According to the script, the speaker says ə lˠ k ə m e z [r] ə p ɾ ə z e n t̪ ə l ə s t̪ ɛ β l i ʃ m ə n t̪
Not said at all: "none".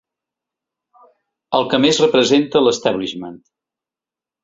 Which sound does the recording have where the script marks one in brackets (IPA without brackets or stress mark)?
r